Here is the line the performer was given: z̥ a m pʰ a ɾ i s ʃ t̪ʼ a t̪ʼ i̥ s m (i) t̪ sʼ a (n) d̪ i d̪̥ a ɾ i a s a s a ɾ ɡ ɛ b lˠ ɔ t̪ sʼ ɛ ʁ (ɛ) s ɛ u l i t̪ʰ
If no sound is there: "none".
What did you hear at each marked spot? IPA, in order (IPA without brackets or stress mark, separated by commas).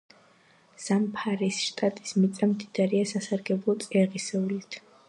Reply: i, m, i